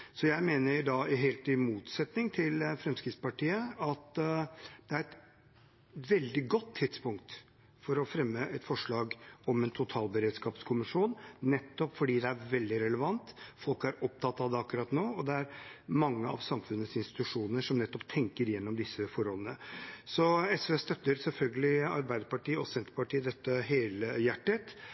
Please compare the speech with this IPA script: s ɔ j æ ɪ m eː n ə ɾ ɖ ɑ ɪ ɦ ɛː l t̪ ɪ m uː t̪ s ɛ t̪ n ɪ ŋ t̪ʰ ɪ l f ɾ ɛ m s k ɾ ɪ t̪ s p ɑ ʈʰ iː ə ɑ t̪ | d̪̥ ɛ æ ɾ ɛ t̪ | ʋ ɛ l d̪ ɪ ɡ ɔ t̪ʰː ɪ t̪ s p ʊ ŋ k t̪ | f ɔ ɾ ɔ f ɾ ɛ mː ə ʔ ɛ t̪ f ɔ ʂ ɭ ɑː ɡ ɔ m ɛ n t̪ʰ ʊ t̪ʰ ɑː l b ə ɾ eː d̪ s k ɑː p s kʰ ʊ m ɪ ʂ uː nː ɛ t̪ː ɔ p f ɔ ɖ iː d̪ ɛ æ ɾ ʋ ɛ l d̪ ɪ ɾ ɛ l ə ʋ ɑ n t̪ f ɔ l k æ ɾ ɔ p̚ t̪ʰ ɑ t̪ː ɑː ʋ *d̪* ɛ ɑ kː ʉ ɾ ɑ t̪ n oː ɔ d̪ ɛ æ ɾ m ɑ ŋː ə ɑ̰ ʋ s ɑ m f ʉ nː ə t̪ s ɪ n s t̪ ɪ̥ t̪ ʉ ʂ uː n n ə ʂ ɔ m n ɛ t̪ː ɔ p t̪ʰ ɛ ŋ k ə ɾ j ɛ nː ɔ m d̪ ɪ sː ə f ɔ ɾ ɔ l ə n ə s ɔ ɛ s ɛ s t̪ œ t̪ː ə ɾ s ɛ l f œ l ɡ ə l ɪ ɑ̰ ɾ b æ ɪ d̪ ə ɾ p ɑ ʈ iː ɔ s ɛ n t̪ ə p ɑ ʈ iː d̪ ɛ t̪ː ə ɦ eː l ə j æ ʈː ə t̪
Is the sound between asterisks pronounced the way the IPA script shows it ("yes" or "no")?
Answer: yes